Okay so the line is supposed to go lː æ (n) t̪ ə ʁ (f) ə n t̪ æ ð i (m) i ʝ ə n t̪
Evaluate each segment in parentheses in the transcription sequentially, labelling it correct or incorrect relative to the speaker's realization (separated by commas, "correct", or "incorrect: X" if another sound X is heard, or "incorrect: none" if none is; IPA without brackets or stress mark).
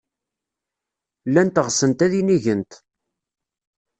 correct, incorrect: s, incorrect: n